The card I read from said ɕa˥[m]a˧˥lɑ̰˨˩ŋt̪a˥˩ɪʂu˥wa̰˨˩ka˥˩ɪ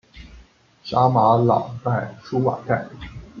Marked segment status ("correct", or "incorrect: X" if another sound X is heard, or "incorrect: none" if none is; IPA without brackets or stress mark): correct